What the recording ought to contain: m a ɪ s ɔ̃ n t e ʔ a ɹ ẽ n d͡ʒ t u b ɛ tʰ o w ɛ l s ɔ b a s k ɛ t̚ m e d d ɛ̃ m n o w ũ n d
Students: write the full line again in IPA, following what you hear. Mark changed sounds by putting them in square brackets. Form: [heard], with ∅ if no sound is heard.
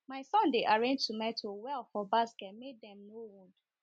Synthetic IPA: m a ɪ s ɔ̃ n [d] e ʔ a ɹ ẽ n d͡ʒ t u [m] ɛ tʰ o w ɛ l [f] ɔ b a s k ɛ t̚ m e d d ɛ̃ m n o w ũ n d